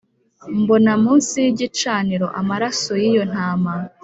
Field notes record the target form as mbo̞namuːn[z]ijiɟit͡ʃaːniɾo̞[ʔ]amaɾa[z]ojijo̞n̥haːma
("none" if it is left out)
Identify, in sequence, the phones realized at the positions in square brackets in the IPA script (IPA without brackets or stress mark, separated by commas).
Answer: s, ʔ, s